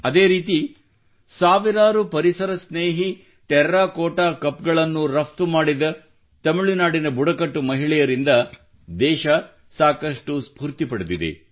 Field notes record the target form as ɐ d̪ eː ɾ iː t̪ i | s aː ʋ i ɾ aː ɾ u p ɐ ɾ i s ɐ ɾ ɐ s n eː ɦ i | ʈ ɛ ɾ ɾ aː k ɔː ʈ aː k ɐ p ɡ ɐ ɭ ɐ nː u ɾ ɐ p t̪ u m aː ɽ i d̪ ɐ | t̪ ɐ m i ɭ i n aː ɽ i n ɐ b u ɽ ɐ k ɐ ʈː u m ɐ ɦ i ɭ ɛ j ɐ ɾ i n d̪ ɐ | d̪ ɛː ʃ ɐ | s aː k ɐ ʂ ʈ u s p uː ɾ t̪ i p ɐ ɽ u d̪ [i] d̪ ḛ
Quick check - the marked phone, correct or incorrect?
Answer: correct